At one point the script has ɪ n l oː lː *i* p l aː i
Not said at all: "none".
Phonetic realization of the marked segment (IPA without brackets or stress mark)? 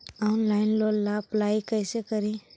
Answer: a